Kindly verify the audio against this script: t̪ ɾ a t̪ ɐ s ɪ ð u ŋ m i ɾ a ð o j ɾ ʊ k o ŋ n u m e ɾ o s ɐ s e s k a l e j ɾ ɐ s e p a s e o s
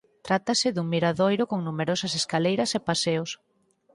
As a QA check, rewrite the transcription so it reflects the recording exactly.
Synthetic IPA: t̪ ɾ a t̪ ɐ s ɪ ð u ŋ m i ɾ a ð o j ɾ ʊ k o ŋ n u m e ɾ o s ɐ s e s k a l e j ɾ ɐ s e p a s e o s